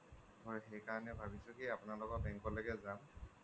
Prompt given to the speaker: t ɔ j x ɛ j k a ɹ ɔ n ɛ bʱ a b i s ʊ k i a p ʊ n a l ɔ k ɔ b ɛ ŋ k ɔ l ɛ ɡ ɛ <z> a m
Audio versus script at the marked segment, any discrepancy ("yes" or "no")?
no